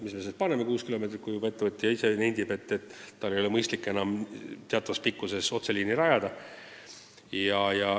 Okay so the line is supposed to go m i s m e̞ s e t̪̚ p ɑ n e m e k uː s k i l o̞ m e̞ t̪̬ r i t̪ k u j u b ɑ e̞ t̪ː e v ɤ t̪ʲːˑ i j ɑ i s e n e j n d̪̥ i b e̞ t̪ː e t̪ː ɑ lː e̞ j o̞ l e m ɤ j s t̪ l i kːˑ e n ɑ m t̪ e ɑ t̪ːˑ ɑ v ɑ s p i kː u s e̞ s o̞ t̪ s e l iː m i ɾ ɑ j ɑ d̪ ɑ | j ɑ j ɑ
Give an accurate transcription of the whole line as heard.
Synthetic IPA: m i s m e̞ s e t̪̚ p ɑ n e m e k uː s k i l o̞ m e̞ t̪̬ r i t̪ k u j u b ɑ e̞ t̪ː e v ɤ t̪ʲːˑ i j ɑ i s e n e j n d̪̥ i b e̞ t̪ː e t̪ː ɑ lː e̞ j o̞ l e m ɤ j s t̪ l i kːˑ e n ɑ m t̪ e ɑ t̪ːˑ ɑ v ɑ s p i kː u s e̞ s o̞ t̪ s e l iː n i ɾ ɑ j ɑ d̪ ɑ | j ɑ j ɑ